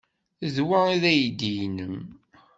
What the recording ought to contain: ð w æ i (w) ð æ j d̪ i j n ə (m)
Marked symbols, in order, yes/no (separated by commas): no, yes